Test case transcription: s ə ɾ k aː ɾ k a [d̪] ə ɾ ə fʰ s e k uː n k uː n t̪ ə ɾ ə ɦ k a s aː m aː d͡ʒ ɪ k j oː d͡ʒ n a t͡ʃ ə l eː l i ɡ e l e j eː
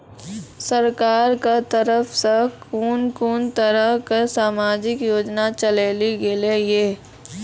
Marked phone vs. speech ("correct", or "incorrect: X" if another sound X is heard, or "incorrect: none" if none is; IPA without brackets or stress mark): incorrect: t̪